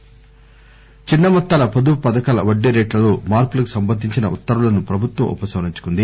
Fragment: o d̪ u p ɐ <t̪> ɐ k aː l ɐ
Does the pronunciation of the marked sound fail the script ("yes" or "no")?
yes